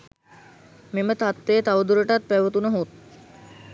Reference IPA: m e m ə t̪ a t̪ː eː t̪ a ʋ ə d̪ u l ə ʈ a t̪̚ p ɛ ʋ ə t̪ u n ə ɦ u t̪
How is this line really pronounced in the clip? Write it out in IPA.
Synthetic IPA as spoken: m e m ə t̪ a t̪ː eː t̪ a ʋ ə d̪ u ɾ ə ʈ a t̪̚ p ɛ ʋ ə t̪ u n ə ɦ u t̪